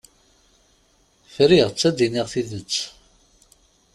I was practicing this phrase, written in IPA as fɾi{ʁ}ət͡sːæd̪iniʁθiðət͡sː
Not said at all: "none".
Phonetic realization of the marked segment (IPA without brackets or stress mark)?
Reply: ʁ